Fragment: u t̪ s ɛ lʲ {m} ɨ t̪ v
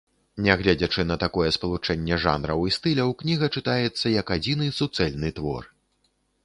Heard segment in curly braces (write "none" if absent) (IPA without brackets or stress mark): n